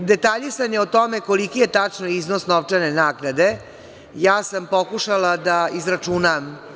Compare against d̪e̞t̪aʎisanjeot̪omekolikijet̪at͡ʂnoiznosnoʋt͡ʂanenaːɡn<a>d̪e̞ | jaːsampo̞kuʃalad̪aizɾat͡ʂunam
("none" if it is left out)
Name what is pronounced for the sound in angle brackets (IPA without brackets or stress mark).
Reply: a